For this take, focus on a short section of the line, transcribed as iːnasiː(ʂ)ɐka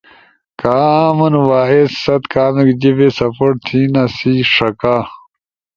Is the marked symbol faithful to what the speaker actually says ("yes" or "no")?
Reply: yes